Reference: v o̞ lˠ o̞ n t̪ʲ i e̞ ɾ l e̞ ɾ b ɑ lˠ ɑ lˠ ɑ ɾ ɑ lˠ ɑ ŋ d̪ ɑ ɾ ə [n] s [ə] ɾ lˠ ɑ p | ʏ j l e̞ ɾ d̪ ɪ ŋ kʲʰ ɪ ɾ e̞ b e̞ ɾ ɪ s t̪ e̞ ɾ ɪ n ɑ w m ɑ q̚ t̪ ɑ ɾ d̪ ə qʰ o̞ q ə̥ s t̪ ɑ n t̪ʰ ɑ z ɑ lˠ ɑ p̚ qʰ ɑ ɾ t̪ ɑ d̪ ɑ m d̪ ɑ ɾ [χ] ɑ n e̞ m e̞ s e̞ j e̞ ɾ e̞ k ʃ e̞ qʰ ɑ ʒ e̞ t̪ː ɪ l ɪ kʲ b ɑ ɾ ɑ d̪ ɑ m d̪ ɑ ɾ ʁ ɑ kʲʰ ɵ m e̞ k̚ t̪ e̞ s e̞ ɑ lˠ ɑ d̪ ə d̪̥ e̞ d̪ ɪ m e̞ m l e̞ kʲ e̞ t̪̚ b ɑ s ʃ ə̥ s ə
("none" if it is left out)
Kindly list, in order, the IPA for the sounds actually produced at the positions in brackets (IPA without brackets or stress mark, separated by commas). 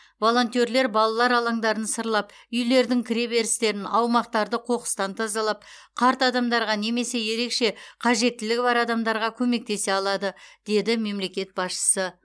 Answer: n, ə, ʁ